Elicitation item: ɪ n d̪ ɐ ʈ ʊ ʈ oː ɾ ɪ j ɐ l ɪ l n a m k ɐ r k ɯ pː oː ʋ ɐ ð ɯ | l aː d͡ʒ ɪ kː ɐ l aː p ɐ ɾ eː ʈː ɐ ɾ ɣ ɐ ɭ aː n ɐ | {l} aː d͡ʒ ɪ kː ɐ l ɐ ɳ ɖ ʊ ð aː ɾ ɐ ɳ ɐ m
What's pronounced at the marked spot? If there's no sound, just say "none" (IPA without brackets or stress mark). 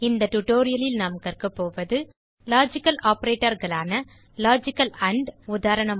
l